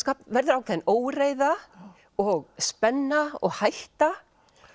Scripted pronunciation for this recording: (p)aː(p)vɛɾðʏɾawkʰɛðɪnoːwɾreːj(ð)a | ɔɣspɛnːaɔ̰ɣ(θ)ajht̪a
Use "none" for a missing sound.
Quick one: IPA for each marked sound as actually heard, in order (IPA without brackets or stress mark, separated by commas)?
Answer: k, p, ð, h